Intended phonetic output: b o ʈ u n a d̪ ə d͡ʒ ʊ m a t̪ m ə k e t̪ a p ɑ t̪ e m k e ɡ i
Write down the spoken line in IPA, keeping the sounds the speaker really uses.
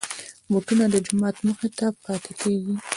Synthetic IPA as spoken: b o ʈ u n a d̪ ə d͡ʒ ʊ m ɑ t̪ m ə x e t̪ a p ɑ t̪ e k e ɡ i